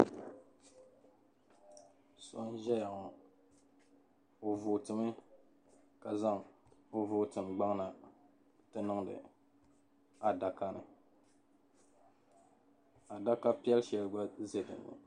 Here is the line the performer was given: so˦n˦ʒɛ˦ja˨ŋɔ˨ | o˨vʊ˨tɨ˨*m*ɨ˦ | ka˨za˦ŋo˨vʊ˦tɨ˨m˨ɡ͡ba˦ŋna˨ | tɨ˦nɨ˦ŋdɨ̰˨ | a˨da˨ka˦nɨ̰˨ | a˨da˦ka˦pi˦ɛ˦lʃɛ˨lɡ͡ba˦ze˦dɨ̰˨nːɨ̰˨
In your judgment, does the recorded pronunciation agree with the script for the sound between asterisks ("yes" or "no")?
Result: yes